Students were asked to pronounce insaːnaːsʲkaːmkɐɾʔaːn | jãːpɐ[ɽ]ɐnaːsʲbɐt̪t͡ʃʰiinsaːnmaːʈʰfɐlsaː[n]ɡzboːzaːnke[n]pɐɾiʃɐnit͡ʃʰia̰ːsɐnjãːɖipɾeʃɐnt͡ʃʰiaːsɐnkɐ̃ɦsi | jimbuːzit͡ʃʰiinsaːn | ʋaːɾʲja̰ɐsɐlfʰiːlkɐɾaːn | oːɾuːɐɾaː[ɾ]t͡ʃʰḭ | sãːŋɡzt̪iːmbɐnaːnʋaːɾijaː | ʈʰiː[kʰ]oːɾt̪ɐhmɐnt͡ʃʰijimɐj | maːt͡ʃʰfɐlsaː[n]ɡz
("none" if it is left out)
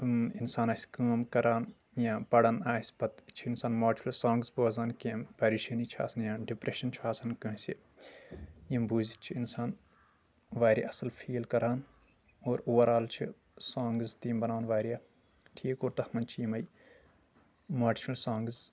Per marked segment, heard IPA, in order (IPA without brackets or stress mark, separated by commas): ɽ, ŋ, m, l, k, ŋ